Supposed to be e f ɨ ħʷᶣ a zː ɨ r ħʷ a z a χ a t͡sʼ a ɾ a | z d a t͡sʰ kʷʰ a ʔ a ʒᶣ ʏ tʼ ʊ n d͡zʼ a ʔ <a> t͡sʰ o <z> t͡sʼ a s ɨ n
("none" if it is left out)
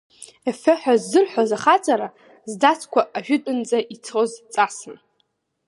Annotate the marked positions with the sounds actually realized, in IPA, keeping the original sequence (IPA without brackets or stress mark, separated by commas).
i, z